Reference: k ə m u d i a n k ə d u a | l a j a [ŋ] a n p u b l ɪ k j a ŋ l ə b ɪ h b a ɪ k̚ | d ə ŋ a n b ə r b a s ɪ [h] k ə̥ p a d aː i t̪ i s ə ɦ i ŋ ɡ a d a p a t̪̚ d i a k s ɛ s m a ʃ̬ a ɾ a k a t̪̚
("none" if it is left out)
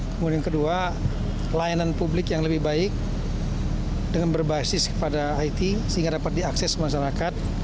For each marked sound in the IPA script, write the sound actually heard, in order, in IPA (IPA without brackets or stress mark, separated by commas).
n, s